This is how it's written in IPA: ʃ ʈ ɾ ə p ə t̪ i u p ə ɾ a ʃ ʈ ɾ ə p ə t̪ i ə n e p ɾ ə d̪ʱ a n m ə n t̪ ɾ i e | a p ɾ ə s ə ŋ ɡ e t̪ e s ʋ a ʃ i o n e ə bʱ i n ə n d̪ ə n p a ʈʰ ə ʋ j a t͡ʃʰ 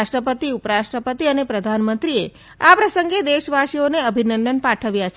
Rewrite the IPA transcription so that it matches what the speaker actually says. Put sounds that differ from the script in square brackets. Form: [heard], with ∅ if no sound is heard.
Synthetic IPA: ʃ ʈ ɾ ə p ə t̪ i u p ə ɾ a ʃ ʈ ɾ ə p ə t̪ i ə n e p ɾ ə d̪ʱ a n m ə n t̪ ɾ i e | a p ɾ ə s ə ŋ ɡ e [d̪] e [ʃ] ʋ a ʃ i o n e ə bʱ i n ə n d̪ ə n p a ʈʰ ə ʋ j a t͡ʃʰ